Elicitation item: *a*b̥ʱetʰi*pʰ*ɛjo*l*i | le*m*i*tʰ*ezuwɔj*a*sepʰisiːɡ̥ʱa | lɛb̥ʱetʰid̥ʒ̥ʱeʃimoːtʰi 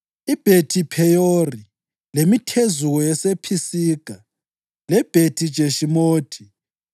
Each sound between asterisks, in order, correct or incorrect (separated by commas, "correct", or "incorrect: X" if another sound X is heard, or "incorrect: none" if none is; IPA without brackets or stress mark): incorrect: i, correct, incorrect: r, correct, correct, incorrect: ɛ